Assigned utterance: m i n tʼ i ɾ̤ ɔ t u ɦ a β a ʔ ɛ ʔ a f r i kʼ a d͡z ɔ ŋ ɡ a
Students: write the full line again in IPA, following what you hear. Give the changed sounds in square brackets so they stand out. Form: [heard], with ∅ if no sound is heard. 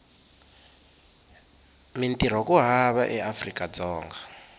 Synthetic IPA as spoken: m i n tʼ i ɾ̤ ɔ [k] u ɦ a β a ʔ ɛ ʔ a f r i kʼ a d͡z [ɔː] ŋ ɡ a

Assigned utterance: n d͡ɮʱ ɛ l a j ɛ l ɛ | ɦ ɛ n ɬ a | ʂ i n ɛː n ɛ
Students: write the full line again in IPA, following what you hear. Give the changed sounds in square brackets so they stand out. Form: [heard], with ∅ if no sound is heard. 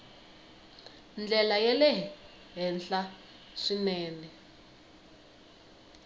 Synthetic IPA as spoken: n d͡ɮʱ ɛ l a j ɛ l ɛ | ɦ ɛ n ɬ a | ʂ i n ɛː n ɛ

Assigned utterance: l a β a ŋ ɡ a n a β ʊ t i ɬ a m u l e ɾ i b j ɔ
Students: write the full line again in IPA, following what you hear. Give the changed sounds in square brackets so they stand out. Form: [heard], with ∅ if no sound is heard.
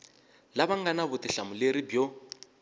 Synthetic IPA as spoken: l a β a ŋ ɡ a n a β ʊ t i ɬ a m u l e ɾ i b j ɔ

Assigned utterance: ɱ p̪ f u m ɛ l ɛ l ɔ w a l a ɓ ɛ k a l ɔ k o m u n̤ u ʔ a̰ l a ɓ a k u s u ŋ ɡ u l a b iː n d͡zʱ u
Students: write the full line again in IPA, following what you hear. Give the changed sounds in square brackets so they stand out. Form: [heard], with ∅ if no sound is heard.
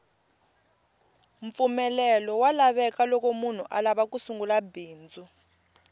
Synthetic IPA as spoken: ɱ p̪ f u m ɛ l ɛ l ɔ w a l a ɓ ɛ k a l ɔ k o m u n̤ u ʔ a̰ l a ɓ a k u s u ŋ ɡ u l a b iː n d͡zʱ u

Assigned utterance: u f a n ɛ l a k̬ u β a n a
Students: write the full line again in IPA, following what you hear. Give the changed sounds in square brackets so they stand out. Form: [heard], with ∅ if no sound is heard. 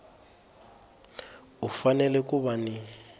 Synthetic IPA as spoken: u f a n ɛ l [ɛ] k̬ u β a n [i]

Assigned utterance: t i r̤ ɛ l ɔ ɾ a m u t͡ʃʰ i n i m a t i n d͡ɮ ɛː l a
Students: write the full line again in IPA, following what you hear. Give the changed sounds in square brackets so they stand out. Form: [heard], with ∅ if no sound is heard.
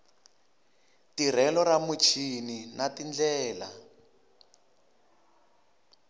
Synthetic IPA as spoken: t i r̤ ɛ l ɔ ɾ a m u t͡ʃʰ i n i [n] a t i n d͡ɮ ɛː l a

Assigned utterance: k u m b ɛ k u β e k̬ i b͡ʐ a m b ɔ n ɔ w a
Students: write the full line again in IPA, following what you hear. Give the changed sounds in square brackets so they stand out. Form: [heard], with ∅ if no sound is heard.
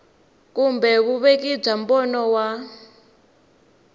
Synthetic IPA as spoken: k u m b ɛ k u β e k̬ i b͡ʐ a m b ɔ n ɔ w a

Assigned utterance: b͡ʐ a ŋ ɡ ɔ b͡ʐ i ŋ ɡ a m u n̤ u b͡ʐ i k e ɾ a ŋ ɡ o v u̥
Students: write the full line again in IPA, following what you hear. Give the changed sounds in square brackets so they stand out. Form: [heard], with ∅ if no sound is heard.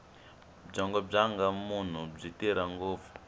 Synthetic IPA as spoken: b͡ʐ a ŋ ɡ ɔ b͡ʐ [a] ŋ ɡ a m u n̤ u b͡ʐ i [t] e ɾ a ŋ ɡ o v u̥

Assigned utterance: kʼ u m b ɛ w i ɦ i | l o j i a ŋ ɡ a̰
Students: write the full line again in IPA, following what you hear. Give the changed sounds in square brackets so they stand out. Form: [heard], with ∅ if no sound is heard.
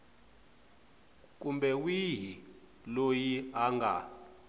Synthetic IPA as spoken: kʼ u m b ɛ w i ɦ i | l o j i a ŋ ɡ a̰

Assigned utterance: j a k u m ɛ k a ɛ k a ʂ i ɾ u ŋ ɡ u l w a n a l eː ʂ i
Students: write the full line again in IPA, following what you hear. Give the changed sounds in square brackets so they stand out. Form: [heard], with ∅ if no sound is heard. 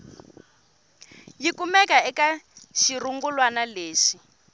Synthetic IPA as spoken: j [i] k u m ɛ k a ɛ k a [ʃ] i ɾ u ŋ ɡ u l w a n a l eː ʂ i

